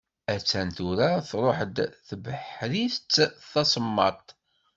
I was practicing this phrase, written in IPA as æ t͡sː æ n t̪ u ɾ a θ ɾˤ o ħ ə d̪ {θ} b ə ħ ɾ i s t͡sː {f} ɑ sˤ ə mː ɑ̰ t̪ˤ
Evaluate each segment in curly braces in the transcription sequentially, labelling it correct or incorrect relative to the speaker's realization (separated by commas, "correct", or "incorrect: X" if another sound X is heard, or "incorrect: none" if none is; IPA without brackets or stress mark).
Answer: correct, incorrect: θ